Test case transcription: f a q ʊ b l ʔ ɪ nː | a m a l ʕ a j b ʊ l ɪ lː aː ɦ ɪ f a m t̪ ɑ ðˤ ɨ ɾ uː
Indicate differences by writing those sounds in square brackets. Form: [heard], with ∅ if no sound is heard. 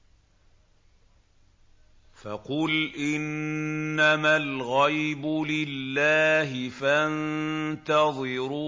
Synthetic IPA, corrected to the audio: f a q ʊ [∅] l ʔ ɪ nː | a m a l [ɣ] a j b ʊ l ɪ lː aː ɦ ɪ f a [n] t̪ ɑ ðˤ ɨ ɾ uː